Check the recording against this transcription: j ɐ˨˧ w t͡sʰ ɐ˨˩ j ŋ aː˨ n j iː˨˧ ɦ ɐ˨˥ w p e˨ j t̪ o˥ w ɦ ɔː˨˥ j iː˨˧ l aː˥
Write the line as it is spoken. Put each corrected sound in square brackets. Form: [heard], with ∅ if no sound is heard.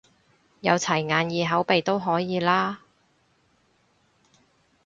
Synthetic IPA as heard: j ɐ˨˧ w t͡sʰ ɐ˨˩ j ŋ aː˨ n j iː˨˧ ɦ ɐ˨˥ w p e˨ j t̪ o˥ w ɦ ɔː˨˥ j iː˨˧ l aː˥